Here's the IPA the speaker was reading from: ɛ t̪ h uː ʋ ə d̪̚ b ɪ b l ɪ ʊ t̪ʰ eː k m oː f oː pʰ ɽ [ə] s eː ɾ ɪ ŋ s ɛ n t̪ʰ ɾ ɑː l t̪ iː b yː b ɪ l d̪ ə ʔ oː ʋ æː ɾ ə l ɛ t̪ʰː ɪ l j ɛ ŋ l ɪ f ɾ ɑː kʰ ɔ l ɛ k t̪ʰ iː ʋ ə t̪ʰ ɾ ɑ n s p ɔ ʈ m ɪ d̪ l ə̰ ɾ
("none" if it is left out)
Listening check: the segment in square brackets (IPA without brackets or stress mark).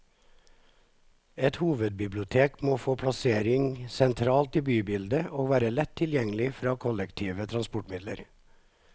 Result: ɑ